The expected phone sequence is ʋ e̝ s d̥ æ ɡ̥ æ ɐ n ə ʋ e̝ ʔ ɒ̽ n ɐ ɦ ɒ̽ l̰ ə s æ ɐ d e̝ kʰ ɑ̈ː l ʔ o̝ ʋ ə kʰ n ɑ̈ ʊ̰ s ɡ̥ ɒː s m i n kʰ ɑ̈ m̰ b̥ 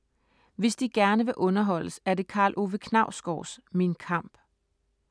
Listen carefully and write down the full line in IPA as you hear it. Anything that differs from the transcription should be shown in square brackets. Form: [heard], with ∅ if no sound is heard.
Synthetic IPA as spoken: ʋ e̝ s d̥ [i] ɡ̥ æ ɐ n ə ʋ e̝ ʔ [ɔ̽] n ɐ ɦ ɒ̽ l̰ ə s æ ɐ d e̝ kʰ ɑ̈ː l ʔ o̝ ʋ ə kʰ n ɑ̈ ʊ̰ s ɡ̥ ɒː s m i n kʰ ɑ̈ m̰ b̥